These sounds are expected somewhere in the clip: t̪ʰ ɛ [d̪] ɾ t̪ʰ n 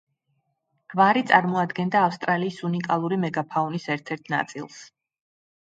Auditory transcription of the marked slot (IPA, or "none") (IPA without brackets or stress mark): none